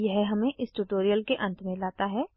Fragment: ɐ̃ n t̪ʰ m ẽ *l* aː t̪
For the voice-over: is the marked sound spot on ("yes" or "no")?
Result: yes